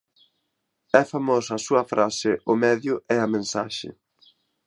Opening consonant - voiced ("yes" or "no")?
no